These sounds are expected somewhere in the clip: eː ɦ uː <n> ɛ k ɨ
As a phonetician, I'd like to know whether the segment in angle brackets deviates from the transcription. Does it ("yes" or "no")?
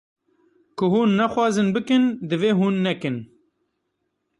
yes